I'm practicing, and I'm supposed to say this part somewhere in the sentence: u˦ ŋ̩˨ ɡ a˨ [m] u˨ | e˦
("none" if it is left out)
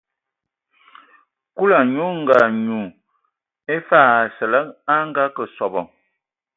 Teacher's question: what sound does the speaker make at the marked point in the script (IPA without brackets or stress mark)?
ɲ